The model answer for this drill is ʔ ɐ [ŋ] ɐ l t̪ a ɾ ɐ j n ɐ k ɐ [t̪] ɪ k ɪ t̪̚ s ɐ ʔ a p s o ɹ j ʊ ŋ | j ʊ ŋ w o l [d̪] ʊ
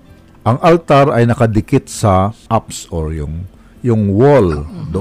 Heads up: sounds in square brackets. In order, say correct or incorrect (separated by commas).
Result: correct, incorrect, correct